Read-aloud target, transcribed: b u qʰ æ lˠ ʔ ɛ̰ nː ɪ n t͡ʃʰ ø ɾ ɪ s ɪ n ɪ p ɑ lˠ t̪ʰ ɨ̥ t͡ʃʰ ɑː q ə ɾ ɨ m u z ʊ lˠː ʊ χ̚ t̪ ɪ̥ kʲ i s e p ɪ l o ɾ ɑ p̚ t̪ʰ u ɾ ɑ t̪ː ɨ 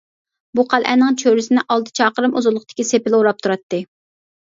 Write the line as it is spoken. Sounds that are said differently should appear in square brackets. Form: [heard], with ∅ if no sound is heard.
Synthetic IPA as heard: b u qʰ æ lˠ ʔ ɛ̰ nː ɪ [ŋ] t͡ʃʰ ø ɾ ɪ s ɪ n ɪ [ʔ] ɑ lˠ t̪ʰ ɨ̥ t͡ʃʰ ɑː q ə ɾ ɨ m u z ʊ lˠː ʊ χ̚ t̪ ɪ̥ kʲ i s e p ɪ l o ɾ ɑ p̚ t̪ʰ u ɾ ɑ t̪ː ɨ